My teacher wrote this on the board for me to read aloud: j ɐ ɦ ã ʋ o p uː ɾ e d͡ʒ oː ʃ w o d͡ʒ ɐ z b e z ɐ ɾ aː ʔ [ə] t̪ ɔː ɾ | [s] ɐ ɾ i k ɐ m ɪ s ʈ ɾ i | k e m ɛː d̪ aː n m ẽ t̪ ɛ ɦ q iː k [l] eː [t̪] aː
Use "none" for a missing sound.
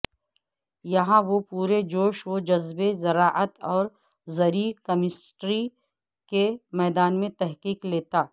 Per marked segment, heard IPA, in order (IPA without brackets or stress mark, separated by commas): ə, z, l, t̪